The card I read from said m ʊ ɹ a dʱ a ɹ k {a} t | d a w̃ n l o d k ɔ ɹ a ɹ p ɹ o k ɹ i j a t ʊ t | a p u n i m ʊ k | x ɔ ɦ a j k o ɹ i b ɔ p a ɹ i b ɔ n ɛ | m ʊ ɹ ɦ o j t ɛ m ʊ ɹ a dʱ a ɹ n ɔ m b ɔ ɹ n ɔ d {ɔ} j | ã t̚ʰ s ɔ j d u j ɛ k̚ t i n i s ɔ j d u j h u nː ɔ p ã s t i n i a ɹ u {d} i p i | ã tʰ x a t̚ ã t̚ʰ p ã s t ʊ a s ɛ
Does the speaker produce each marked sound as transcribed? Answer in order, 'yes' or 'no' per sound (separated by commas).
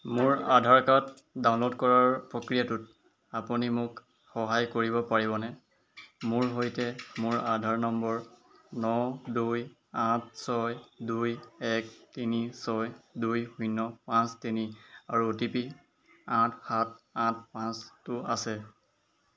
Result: yes, no, no